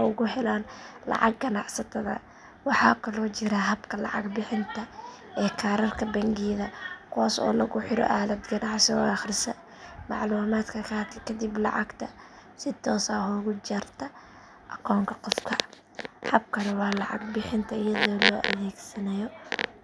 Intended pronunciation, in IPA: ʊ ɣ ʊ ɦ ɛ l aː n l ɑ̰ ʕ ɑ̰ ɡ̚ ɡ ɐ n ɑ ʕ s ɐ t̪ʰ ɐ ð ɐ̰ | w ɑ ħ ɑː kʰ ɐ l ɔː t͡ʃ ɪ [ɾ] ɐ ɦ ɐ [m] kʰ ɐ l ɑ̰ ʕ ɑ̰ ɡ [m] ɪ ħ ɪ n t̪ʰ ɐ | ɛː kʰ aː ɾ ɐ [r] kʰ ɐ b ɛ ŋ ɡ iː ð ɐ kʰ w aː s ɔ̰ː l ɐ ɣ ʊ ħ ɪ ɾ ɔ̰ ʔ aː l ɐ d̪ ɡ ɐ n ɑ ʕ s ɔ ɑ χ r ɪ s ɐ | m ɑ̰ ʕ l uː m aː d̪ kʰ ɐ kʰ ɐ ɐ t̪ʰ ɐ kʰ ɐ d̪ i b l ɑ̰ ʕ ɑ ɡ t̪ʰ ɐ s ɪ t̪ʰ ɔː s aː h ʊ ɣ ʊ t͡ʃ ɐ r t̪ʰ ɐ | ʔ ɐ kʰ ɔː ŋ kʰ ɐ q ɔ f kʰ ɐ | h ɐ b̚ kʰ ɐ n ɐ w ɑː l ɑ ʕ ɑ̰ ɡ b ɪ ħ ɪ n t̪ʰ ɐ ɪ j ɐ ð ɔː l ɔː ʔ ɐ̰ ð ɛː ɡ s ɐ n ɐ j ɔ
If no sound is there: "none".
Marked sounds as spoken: ɾ, b, b, r

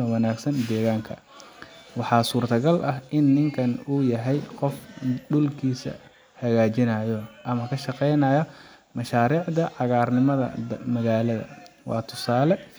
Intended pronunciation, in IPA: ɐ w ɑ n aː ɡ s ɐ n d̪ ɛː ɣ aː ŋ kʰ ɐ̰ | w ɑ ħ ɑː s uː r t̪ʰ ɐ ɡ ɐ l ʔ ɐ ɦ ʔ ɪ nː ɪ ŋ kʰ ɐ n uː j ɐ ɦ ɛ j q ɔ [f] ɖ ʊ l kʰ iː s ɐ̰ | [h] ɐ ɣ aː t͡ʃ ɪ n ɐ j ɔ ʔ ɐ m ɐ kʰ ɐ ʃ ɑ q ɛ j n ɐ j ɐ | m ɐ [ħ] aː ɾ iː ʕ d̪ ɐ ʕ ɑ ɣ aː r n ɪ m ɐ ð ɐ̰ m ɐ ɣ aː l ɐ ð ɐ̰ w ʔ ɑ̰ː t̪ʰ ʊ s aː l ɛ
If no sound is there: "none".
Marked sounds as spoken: f, h, ʃ

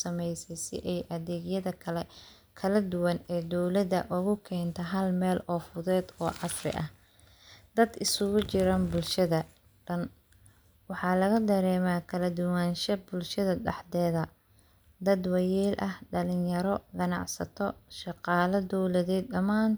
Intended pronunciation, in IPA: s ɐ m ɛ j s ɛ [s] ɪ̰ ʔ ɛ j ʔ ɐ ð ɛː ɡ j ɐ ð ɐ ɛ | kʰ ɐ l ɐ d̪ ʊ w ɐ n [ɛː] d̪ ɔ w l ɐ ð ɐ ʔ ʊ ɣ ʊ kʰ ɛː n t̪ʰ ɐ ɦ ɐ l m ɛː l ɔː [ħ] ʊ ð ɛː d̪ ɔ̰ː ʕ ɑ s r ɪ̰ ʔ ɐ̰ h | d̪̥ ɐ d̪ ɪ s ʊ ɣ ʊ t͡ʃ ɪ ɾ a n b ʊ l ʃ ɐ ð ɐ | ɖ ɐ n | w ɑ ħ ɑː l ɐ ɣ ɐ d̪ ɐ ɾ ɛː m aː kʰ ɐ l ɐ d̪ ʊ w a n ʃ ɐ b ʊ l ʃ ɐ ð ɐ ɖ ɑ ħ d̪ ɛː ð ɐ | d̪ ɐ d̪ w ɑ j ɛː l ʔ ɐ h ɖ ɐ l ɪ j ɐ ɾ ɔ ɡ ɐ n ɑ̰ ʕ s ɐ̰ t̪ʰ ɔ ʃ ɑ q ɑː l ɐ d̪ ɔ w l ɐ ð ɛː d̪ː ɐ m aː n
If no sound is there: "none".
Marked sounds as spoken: s, ɛː, f

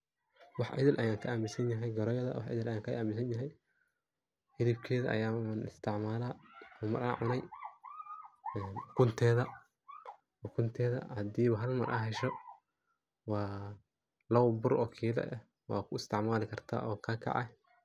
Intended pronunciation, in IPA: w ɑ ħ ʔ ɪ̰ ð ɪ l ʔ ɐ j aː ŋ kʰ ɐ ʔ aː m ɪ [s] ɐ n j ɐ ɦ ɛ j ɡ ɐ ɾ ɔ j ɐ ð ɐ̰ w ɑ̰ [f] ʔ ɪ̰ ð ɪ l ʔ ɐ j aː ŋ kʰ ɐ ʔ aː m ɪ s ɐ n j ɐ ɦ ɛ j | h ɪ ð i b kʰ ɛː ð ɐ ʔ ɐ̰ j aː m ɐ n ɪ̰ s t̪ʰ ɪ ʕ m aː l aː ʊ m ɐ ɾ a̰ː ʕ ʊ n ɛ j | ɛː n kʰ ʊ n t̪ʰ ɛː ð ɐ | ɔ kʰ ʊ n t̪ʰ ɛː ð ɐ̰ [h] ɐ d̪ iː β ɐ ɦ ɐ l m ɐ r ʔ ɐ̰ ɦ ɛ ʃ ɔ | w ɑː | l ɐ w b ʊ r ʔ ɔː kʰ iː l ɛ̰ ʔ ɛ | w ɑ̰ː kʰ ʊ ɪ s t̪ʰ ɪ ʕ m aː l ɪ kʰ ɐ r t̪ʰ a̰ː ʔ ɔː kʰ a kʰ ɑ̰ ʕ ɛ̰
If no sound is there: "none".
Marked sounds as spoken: s, ħ, h

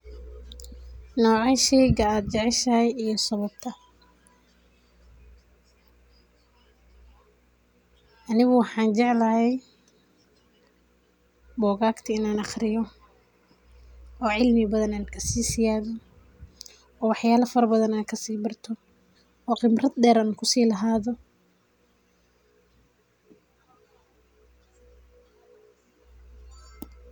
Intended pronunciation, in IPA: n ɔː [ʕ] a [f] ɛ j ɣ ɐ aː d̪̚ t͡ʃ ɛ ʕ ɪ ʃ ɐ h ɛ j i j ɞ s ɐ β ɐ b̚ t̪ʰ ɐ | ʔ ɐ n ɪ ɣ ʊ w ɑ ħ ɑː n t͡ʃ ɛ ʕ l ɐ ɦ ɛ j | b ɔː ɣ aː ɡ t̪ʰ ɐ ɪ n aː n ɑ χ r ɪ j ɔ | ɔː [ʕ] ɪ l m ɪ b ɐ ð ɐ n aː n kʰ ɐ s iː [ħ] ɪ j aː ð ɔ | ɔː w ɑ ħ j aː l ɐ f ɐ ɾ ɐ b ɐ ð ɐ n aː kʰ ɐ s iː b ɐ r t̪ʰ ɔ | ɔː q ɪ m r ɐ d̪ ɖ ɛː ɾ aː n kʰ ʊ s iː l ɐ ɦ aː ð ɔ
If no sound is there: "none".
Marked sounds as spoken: ʕ, ʃ, ʕ, s

